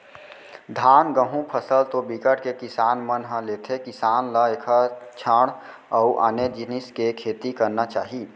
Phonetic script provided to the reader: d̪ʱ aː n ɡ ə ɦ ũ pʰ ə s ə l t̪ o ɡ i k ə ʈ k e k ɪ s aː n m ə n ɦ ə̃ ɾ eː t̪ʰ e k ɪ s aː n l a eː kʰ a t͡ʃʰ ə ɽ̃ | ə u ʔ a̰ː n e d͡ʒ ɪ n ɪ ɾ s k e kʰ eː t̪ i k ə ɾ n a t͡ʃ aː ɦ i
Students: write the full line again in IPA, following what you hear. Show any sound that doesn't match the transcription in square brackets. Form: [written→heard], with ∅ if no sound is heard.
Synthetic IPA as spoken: d̪ʱ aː n ɡ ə ɦ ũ pʰ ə s ə l t̪ o [ɡ→b] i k ə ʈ k e k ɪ s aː n m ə n ɦ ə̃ [ɾ→l] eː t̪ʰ e k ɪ s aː n l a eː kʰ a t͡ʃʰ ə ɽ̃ | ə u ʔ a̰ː n e d͡ʒ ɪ n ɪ [ɾ→∅] s k e kʰ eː t̪ i k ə ɾ n a t͡ʃ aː ɦ i